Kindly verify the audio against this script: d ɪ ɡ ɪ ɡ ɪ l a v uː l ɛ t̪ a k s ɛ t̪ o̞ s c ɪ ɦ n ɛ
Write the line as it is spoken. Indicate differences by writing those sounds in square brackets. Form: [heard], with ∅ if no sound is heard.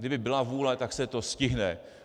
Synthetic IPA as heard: d ɪ [b] ɪ [b] ɪ l a v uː l ɛ t̪ a k s ɛ t̪ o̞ s c ɪ ɦ n ɛ